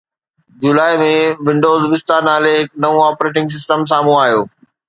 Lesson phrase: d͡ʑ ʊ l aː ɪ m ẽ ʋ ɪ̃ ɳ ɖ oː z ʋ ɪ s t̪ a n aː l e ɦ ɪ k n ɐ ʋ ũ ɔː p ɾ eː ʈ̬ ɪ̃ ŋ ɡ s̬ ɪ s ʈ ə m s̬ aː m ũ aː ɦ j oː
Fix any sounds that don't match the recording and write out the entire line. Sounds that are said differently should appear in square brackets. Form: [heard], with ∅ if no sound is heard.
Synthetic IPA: d͡ʑ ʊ l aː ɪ m ẽ ʋ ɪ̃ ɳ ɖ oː z ʋ ɪ s t̪ a n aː l e ɦ ɪ k n ɐ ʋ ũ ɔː p ɾ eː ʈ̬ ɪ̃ ŋ ɡ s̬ ɪ s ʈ ə m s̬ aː m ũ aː ɦ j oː